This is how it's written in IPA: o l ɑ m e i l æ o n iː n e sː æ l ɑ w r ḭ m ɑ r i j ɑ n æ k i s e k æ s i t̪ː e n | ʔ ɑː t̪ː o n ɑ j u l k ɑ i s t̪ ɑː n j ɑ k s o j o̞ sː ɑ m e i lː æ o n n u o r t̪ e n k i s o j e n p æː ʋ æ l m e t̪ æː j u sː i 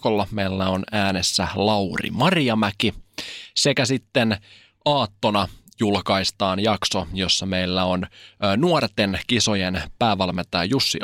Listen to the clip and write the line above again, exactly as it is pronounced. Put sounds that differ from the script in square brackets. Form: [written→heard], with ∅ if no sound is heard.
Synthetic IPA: o [l→lː] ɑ m e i [l→lː] æ o n [iː→æː] n e sː æ l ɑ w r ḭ m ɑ r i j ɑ [n→m] æ k i s e k æ s i t̪ː e n | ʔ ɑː t̪ː o n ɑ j u l k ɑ i s t̪ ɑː n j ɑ k s o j o̞ sː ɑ m e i lː æ o n n u o r t̪ e n k i s o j e n p æː ʋ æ l m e t̪ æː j u sː i